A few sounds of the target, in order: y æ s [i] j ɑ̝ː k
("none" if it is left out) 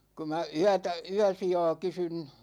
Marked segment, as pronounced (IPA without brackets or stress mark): i